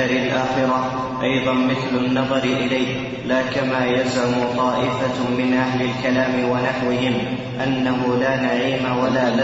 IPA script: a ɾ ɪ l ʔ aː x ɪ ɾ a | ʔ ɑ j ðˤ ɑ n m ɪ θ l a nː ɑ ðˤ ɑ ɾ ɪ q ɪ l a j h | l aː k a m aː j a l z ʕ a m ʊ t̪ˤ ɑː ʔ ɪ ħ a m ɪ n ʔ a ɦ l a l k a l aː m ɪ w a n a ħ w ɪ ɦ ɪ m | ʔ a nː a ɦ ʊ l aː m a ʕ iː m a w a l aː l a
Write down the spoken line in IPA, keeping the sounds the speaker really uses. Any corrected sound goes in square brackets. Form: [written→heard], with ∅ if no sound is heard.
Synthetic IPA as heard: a ɾ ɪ l ʔ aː x ɪ ɾ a | ʔ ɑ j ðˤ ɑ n m ɪ θ l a nː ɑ ðˤ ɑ ɾ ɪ [q→ʔ] ɪ l a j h | l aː k a m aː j a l z ʕ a m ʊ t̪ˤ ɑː ʔ ɪ [ħ→f] a m ɪ n ʔ a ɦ l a l k a l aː m ɪ w a n a ħ w ɪ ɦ ɪ m | ʔ a nː a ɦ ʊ l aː [m→n] a ʕ iː m a w a l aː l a